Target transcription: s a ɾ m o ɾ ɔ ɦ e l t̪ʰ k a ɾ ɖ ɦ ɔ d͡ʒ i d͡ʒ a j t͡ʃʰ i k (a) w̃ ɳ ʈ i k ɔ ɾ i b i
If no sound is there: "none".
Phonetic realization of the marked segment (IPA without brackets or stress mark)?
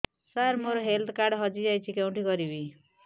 e